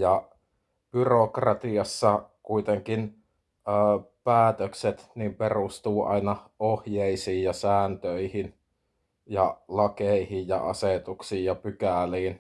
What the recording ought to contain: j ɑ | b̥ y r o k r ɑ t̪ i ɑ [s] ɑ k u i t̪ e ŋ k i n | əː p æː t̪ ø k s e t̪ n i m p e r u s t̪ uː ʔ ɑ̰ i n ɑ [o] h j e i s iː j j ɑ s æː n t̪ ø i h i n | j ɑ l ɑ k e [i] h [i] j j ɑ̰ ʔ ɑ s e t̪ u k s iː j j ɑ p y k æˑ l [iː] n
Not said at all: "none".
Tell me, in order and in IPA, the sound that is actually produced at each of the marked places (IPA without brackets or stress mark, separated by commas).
sː, o, i, i, iː